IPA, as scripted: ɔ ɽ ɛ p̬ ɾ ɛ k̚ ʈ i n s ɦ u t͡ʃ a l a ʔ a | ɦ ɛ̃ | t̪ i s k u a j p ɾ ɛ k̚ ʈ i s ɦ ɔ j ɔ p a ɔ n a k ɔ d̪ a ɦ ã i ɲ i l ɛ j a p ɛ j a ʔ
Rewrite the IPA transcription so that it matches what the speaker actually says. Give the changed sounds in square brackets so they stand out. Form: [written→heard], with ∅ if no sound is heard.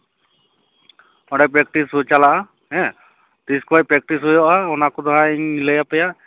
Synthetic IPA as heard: ɔ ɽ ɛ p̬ ɾ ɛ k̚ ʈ i [n→∅] s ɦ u t͡ʃ a l a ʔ a | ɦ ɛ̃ | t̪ i s k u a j p ɾ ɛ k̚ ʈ i s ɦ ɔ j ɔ [p→ʔ] a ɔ n a k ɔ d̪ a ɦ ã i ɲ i l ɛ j a p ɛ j a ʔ

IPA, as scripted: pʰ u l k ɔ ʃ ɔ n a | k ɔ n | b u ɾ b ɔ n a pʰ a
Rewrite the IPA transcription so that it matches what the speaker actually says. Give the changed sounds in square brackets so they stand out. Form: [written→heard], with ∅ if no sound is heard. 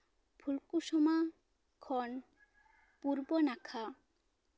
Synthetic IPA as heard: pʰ u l k [ɔ→u] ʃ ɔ [n→m] a | [k→kʰ] ɔ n | [b→p] u ɾ b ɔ n a [pʰ→kʰ] a

